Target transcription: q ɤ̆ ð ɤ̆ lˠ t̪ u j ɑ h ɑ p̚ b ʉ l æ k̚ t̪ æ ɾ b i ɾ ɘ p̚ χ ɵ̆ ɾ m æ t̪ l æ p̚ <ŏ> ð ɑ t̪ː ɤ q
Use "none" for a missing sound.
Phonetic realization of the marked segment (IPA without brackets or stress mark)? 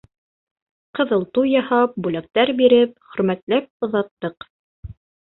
ŏ